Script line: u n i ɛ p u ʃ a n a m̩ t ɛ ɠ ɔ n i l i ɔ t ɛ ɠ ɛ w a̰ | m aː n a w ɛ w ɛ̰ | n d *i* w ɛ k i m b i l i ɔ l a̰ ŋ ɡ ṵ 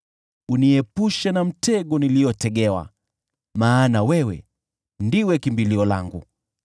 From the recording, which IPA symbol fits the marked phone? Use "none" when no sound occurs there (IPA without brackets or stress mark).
i